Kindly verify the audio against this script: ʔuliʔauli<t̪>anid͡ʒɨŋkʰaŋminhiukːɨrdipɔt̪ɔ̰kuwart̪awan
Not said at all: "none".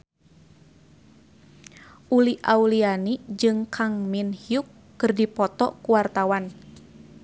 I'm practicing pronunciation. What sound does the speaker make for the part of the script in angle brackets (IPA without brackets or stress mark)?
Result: none